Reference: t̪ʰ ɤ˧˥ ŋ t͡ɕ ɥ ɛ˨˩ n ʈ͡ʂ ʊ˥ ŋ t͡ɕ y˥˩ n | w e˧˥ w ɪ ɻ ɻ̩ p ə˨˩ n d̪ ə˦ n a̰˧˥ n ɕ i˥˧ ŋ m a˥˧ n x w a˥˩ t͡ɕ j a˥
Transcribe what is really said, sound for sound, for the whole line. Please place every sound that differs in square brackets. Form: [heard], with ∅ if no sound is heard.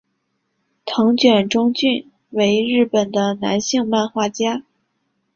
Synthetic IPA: t̪ʰ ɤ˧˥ ŋ t͡ɕ ɥ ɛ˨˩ n ʈ͡ʂ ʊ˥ ŋ t͡ɕ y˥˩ n | w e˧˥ [∅] ɪ ɻ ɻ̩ p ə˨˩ n d̪ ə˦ n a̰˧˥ n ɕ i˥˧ ŋ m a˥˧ n x w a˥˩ t͡ɕ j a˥